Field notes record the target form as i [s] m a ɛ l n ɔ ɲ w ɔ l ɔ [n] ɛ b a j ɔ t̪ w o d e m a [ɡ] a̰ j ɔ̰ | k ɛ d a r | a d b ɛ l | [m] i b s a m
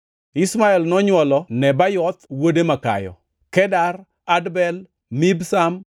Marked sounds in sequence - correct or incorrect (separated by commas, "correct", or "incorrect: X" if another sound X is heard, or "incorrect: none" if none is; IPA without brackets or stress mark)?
correct, correct, incorrect: k, correct